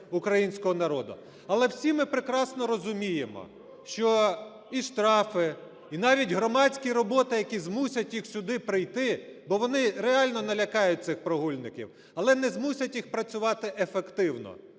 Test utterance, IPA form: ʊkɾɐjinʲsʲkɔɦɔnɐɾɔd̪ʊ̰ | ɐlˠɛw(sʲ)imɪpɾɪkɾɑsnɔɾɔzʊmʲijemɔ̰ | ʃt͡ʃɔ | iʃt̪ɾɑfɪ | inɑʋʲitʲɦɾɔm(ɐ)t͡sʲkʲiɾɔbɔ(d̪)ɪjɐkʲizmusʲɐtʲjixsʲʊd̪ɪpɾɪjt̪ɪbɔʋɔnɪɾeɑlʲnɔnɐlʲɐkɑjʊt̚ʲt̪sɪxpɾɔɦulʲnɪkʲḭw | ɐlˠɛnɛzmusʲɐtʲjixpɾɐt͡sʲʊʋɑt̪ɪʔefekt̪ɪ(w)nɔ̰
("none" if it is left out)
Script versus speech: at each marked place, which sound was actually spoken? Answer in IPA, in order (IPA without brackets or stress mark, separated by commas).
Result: sʲ, ɑ, t̪, w